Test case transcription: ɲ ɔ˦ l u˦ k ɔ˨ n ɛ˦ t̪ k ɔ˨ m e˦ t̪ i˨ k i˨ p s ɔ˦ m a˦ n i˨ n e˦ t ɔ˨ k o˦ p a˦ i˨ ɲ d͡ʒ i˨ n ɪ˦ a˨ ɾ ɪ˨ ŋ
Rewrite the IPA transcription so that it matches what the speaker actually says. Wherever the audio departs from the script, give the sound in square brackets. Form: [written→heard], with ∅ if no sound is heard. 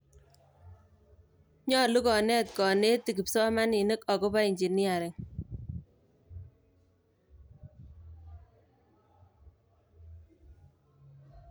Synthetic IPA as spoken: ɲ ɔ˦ l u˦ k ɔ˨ n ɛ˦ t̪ k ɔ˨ [m→n] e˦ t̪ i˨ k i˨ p s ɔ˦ m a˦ n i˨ n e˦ [t→k] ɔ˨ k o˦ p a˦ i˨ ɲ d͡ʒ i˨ n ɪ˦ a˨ ɾ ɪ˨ ŋ